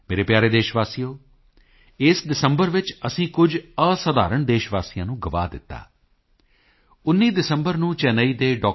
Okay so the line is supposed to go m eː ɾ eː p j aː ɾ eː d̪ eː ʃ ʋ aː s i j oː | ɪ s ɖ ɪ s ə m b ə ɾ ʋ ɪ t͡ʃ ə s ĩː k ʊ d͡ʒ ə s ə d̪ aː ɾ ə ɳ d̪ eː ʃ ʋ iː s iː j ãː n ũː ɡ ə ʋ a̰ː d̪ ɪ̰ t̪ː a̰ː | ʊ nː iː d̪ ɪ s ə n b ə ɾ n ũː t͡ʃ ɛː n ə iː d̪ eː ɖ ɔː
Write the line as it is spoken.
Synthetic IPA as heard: m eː ɾ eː p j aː ɾ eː d̪ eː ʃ ʋ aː s i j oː | ɪ s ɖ ɪ s ə m b ə ɾ ʋ ɪ t͡ʃ ə s ĩː k ʊ d͡ʒ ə s ə d̪ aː ɾ ə ɳ d̪ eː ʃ ʋ aː s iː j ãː n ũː ɡ ə ʋ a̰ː d̪ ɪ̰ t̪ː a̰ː | ʊ nː iː d̪ ɪ s ə m b ə ɾ n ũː t͡ʃ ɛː n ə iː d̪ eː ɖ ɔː